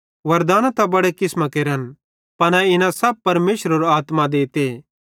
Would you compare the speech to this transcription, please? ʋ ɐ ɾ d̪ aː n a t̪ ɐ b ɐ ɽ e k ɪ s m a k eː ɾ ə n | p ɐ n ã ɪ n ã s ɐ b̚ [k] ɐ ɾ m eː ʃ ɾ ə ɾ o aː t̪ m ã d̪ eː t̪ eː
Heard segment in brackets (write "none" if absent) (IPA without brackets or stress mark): p